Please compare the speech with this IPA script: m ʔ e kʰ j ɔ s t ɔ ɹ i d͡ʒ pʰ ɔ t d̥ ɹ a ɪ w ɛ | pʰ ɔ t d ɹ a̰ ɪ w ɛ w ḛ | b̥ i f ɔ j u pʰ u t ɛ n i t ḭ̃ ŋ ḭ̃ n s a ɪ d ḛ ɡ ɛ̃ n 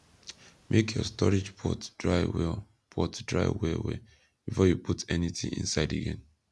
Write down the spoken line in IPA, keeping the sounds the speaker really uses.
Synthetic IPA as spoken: m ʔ e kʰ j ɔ s t ɔ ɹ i d͡ʒ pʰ ɔ t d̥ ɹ a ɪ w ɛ | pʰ ɔ t d ɹ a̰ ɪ w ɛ w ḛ | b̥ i f ɔ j u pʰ u t ɛ n i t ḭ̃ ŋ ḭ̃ n s a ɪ d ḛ ɡ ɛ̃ n

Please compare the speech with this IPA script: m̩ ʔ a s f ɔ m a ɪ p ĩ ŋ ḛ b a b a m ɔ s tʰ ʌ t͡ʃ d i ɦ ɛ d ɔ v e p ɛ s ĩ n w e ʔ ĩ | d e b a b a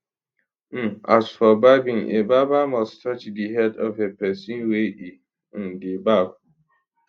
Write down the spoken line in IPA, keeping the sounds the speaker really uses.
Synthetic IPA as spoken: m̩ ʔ a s f ɔ b a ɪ b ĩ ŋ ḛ b a b a m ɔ s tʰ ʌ t͡ʃ d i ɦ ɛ d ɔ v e p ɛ s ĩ n w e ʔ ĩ | d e b a b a

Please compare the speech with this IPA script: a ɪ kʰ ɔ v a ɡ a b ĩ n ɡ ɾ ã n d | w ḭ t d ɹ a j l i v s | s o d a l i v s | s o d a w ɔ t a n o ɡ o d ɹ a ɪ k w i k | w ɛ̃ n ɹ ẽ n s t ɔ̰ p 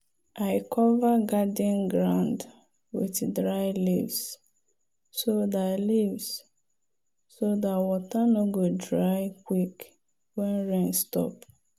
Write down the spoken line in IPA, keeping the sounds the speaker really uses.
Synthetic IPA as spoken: a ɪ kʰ ɔ v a ɡ a d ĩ n ɡ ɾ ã n d | w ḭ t d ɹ a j l i v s | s o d a l i v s | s o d a w ɔ t a n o ɡ o d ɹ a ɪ k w i k | w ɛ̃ n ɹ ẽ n s t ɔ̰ p

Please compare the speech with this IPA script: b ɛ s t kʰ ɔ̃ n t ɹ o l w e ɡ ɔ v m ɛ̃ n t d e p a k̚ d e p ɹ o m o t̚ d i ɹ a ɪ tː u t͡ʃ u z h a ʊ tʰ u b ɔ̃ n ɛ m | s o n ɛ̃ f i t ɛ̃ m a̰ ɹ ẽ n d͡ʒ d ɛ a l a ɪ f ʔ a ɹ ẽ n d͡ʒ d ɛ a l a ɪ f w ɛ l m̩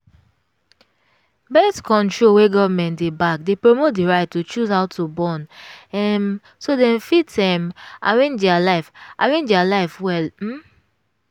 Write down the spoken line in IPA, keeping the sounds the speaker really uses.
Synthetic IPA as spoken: b ɛ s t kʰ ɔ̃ n t ɹ o l w e ɡ ɔ v m ɛ̃ n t d e b a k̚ d e p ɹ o m o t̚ d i ɹ a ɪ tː u t͡ʃ u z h a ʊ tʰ u b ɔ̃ n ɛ m | s o d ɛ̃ f i t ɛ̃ m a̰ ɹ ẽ n d͡ʒ d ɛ a l a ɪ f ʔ a ɹ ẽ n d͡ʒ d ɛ a l a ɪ f w ɛ l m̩

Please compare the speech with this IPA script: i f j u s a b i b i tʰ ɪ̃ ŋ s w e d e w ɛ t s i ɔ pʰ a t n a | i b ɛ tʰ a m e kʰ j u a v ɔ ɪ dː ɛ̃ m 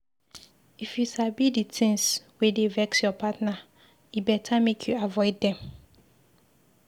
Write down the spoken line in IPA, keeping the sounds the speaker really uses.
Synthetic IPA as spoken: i f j u s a b i d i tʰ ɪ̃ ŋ s w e d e v ɛ k s j ɔ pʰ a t n a | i b ɛ tʰ a m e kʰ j u a v ɔ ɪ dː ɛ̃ m

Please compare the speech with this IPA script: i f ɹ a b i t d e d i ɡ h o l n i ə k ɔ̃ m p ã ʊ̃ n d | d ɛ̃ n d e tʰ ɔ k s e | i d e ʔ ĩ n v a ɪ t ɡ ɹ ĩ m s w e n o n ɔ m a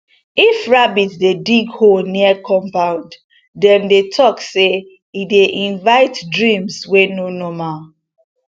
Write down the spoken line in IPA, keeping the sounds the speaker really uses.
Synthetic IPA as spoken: i f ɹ a b i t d e d i ɡ h o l n i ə k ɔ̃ m p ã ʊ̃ n d | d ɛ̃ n d e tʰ ɔ k s e | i d e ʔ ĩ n v a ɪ t d ɹ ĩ m s w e n o n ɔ m a

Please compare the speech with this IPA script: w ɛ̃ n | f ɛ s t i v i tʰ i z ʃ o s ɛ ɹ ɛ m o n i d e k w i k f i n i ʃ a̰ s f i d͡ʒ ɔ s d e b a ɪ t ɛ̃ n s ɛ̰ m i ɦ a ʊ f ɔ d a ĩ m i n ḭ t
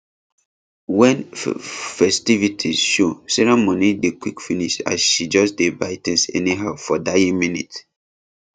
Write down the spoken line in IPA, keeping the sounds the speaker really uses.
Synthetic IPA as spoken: w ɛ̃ n | f ɛ s t i v i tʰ i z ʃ o s ɛ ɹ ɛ m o n i d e k w i k f i n i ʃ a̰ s ʃ i d͡ʒ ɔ s d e b a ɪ t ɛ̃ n s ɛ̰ n i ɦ a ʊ f ɔ d a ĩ m i n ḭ t

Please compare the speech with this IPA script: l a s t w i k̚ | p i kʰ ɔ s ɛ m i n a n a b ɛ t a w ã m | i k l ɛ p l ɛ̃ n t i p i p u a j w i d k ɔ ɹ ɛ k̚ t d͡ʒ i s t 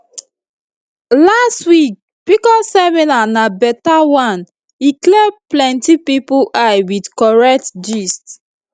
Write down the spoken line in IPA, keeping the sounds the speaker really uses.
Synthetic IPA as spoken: l a s t w i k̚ | p i k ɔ s ɛ m i n a n a b ɛ t a w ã n | i k l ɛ p l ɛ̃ n t i p i p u a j w i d k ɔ ɹ ɛ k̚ t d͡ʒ i s t

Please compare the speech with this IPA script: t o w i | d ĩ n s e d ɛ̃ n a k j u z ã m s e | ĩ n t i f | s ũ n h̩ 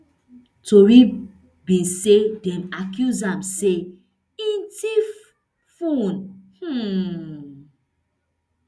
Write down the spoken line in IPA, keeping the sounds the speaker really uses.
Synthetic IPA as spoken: t o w i | b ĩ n s e d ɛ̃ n a k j u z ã m s e | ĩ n t i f | f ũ n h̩

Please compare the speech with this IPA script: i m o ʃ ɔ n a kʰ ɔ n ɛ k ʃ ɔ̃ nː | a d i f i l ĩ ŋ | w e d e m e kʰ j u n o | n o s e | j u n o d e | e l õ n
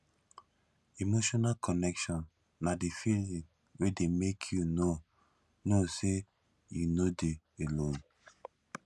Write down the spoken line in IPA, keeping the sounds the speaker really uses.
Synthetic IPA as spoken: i m o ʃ ɔ n a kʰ ɔ n ɛ k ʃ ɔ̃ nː | a d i f i l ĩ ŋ | w e d e m e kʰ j u n o | n o s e | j u n o d e | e l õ n

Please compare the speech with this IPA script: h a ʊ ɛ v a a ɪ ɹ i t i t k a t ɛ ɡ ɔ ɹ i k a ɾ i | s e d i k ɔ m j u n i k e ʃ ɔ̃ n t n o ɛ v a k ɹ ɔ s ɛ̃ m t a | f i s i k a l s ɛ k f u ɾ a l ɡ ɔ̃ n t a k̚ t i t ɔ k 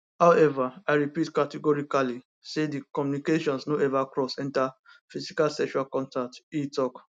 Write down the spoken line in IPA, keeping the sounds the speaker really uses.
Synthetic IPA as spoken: h a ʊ ɛ v a a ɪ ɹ i p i t k a t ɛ ɡ ɔ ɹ i k a l i | s e d i k ɔ m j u n i k e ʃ ɔ̃ n s n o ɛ v a k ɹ ɔ s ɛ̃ n t a | f i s i k a l s ɛ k ʃ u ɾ a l k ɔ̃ n t a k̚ t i t ɔ k

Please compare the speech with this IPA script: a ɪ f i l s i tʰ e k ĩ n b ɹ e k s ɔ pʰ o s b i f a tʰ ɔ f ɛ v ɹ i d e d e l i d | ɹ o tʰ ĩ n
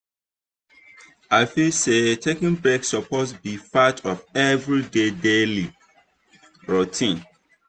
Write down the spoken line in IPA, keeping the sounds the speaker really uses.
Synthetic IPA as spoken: a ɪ f i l s e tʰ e k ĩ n b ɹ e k s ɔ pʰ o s b i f a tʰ ɔ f ɛ v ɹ i d e d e l i | ɹ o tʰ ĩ n

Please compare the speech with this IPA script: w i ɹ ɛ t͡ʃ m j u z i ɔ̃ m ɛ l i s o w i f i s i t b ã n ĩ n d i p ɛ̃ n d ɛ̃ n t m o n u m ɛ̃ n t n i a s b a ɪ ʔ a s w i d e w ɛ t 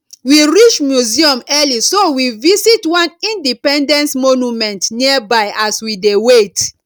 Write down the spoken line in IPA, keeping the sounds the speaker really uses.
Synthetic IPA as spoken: w i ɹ i t͡ʃ m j u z i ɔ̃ m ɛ l i s o w i v i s i t w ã n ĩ n d i p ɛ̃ n d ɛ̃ n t m o n u m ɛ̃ n t n i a b a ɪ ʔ a s w i d e w e t

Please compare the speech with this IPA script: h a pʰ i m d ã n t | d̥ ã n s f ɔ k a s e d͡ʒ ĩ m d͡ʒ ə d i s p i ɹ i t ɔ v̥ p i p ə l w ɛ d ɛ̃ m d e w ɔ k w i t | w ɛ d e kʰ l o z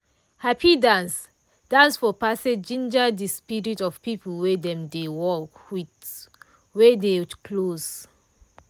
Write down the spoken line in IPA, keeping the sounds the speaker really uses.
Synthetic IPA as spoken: h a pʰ i d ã n s | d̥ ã n s f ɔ p a s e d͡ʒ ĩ n d͡ʒ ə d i s p i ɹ i t ɔ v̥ p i p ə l w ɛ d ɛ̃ m d e w ɔ k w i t | w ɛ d e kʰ l o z

